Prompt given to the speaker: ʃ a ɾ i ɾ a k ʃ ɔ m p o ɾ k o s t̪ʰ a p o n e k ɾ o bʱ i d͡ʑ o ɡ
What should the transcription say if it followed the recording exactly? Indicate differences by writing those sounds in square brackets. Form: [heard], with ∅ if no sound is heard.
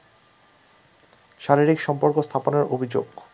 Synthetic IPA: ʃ a ɾ i ɾ [i] k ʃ ɔ m p o ɾ k o s t̪ʰ a p o n e [∅] ɾ o bʱ i d͡ʑ o ɡ

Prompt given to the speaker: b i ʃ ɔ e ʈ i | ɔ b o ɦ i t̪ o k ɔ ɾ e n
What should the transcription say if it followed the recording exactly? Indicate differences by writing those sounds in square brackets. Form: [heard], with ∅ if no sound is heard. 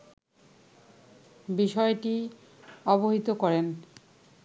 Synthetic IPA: b i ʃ ɔ e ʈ i | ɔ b o ɦ i t̪ o k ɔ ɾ e n

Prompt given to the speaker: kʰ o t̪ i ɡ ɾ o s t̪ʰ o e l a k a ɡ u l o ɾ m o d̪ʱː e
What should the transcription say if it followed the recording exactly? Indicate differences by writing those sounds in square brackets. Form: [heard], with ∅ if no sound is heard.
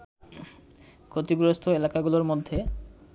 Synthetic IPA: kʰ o t̪ i ɡ ɾ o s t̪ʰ o e l a k a ɡ u l o ɾ m o d̪ʱː e

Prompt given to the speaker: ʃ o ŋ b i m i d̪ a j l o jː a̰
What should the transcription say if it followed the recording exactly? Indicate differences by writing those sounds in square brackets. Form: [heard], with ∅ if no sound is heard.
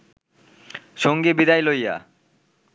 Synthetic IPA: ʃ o ŋ [ɡ] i [b] i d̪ a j l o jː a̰

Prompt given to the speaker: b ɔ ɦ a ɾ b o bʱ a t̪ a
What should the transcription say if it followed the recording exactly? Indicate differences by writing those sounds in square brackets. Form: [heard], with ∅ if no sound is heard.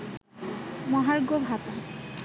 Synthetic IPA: [m] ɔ ɦ a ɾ [ɡ] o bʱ a t̪ a

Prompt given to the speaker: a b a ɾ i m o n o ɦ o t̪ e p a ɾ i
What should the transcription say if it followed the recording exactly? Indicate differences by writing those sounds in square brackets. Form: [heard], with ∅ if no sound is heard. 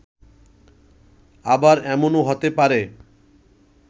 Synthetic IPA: a b a ɾ [ɛ] m o n o ɦ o t̪ e p a ɾ [e]

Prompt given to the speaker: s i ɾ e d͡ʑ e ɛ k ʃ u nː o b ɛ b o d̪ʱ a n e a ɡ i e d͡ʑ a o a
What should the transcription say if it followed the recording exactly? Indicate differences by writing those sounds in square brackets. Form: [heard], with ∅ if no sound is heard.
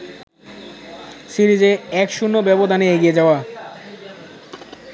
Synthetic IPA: s i ɾ [i] d͡ʑ e ɛ k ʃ u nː o b ɛ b o d̪ʱ a n e [e] ɡ i e d͡ʑ a o a

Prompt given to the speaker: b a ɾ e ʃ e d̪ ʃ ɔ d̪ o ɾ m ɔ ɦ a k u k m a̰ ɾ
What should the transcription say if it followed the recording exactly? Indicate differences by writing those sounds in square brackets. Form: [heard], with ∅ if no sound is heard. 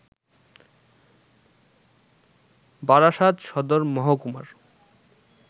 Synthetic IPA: b a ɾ [a] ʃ [a] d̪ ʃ ɔ d̪ o ɾ m ɔ ɦ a k u [∅] m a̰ ɾ

